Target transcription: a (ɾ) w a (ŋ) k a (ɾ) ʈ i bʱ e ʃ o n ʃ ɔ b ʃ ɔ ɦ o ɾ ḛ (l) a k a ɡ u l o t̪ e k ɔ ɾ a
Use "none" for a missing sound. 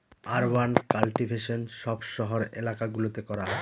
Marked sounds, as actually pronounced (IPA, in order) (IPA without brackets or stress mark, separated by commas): ɾ, n, l, l